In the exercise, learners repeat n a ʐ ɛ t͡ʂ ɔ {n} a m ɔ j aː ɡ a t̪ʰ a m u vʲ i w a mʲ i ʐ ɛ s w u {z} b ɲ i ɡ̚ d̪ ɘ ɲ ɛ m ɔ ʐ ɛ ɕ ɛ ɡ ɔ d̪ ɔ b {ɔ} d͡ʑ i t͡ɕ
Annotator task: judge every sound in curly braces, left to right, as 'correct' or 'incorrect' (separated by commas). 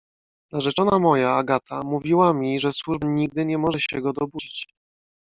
correct, incorrect, incorrect